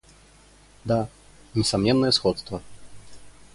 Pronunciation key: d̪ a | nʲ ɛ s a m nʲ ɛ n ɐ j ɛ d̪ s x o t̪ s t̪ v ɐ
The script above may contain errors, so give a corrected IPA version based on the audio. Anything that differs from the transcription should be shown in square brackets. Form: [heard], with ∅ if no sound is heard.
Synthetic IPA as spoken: d̪ a | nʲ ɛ s a m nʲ ɛ [nː] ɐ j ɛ [∅] s x [ɔ] t̪ s t̪ v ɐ

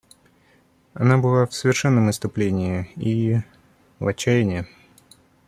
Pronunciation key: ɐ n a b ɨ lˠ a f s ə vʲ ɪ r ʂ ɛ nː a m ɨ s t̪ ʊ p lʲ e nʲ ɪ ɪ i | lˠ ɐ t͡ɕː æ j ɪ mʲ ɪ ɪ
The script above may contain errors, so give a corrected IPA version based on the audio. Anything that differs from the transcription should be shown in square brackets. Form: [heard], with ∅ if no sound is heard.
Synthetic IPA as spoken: ɐ n a b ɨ lˠ a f s ə vʲ ɪ r ʂ ɛ nː [ə] m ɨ s t̪ ʊ p lʲ e nʲ ɪ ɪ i | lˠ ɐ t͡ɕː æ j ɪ [nʲ] ɪ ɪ

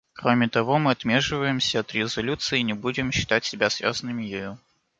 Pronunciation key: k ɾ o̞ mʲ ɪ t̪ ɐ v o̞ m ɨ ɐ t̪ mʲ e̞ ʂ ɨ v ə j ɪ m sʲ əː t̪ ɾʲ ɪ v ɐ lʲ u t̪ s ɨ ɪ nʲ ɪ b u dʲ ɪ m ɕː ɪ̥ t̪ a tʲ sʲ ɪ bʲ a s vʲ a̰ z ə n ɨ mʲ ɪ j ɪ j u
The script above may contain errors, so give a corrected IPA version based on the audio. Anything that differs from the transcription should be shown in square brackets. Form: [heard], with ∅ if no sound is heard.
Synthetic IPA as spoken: k ɾ o̞ mʲ ɪ t̪ ɐ v o̞ m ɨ ɐ t̪ mʲ e̞ ʂ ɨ v ə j ɪ m sʲ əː t̪ ɾʲ ɪ [z] ɐ lʲ u t̪ s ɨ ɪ nʲ ɪ b u dʲ ɪ m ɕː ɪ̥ t̪ a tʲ sʲ ɪ bʲ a s vʲ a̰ z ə n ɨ mʲ ɪ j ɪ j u

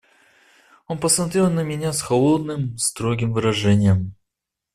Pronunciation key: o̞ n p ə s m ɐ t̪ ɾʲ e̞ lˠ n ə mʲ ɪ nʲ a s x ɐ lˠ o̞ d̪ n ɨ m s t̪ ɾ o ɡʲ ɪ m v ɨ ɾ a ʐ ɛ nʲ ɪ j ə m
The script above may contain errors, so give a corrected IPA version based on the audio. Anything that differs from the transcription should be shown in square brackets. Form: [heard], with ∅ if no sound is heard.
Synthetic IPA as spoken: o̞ n p ə s m ɐ t̪ ɾʲ e̞ lˠ n ə mʲ ɪ nʲ a s x ɐ lˠ o̞ d̪ n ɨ m s t̪ ɾ o ɡʲ ɪ m v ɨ ɾ [ɐ] ʐ ɛ nʲ ɪ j ə m

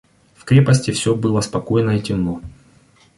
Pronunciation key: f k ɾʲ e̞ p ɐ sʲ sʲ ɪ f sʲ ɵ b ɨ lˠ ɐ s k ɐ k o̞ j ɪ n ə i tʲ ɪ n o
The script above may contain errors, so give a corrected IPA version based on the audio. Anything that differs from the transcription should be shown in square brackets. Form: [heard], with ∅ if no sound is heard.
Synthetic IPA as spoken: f k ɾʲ e̞ p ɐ sʲ [tʲ] ɪ f sʲ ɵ b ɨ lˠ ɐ s [p] ɐ k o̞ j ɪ n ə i tʲ ɪ n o

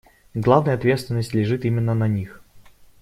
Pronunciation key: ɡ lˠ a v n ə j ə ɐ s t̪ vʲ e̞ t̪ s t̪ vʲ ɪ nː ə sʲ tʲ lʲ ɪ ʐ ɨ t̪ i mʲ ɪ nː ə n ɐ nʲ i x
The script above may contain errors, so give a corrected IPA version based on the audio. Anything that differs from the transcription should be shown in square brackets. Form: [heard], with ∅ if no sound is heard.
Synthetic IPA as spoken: ɡ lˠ a v n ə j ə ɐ [∅] t̪ vʲ e̞ t̪ s t̪ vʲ ɪ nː ə sʲ tʲ lʲ ɪ ʐ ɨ t̪ i mʲ ɪ nː ə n ɐ nʲ i x

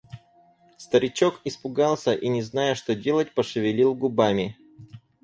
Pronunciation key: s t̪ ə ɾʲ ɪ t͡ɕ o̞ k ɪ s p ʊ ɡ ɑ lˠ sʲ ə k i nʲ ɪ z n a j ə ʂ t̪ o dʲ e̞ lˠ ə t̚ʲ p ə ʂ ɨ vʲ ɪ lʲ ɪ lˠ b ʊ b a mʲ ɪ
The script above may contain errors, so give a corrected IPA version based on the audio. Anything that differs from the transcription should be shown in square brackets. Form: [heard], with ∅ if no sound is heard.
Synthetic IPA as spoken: s t̪ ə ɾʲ ɪ t͡ɕ o̞ k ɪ s p ʊ ɡ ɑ lˠ sʲ ə [ʔ] i nʲ ɪ z n a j ə ʂ t̪ o dʲ e̞ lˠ ə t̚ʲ p ə ʂ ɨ vʲ ɪ lʲ [i] lˠ [ɡ] ʊ b a mʲ ɪ

